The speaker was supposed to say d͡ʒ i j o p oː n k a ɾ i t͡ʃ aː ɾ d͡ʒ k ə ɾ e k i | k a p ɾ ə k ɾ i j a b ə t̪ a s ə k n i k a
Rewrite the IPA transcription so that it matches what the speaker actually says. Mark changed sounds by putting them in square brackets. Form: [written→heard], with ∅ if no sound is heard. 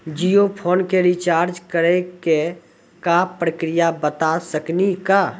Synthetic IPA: d͡ʒ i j o [p→pʰ] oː n k [a→e] ɾ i t͡ʃ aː ɾ d͡ʒ k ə ɾ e k [i→e] | k a p ɾ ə k ɾ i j a b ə t̪ a s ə k n i k a